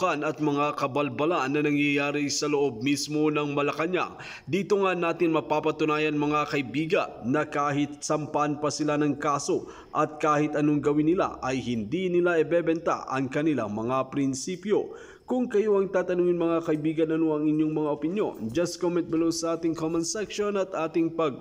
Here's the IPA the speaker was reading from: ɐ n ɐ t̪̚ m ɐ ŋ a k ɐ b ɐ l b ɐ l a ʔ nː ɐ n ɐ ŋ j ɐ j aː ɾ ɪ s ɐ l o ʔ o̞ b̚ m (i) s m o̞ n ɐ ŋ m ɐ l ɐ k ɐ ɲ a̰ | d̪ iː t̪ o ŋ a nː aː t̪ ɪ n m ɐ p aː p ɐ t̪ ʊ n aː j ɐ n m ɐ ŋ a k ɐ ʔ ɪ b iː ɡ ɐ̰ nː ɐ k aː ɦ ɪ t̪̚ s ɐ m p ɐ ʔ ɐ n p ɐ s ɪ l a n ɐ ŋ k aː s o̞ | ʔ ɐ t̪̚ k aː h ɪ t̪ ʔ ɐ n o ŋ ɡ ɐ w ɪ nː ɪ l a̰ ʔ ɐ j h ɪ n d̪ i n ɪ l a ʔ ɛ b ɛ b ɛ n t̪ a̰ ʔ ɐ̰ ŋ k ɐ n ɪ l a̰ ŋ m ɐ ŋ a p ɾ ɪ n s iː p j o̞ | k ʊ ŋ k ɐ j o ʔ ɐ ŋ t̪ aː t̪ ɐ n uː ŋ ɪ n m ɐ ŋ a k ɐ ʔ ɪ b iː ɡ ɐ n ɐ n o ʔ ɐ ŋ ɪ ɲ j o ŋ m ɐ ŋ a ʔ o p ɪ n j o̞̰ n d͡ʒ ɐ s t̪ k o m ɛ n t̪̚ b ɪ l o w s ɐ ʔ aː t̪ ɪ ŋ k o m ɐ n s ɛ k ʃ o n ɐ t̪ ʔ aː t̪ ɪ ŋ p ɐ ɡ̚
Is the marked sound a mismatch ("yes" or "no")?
no